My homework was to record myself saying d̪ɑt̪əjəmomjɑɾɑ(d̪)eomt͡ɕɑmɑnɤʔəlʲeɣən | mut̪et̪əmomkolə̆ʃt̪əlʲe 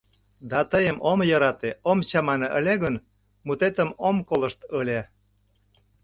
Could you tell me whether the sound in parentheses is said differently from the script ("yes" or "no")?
yes